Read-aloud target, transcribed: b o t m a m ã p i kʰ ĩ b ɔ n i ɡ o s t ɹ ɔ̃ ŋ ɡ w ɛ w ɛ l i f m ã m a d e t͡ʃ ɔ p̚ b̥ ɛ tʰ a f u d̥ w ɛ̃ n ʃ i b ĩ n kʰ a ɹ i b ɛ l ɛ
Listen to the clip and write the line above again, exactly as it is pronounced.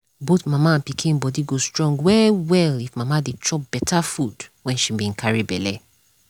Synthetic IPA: b o t m a m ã p i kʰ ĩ b ɔ d i ɡ o s t ɹ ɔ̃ ŋ ɡ w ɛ w ɛ l i f m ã m a d e t͡ʃ ɔ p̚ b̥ ɛ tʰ a f u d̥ w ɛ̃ n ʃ i b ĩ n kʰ a ɹ i b ɛ l ɛ